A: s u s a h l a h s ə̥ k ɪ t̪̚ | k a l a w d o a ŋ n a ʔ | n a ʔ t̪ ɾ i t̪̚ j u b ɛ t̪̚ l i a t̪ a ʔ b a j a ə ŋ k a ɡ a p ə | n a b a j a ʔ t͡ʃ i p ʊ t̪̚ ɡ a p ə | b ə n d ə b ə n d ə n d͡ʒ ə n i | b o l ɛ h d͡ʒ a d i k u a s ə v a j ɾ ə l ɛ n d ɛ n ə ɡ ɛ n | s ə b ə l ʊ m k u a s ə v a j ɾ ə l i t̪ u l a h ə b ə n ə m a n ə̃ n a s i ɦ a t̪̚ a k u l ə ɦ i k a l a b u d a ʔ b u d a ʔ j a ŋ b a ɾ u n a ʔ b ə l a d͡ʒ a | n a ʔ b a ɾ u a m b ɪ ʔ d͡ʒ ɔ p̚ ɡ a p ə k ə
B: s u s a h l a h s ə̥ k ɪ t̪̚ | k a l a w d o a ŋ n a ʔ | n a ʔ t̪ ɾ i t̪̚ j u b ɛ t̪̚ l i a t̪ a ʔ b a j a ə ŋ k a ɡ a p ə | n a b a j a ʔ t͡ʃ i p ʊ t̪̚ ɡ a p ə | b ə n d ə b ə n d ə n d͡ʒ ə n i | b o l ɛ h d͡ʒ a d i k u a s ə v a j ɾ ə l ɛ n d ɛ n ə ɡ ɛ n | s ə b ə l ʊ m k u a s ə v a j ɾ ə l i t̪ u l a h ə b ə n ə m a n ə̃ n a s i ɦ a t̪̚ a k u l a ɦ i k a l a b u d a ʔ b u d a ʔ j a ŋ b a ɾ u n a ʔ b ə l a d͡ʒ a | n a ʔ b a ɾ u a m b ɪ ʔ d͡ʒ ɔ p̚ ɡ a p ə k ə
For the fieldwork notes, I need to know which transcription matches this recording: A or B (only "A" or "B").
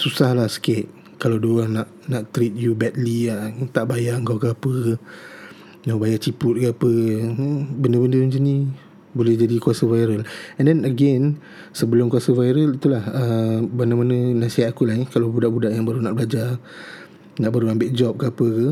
B